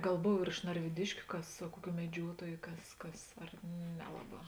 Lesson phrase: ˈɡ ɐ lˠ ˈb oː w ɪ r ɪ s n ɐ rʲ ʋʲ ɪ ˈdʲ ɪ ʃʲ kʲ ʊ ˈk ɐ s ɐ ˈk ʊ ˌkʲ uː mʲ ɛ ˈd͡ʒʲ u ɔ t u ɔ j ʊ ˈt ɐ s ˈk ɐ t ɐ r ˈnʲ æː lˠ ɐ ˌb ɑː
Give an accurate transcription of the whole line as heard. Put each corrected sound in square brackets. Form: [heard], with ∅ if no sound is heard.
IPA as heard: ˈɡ ɐ lˠ ˈb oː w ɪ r ɪ [ʃ] n ɐ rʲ ʋʲ ɪ ˈdʲ ɪ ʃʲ kʲ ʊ ˈk ɐ s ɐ ˈk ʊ ˌkʲ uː mʲ ɛ ˈd͡ʒʲ u ɔ t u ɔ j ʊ [ˈk] ɐ s ˈk ɐ [s] ɐ r ˈnʲ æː lˠ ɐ ˌb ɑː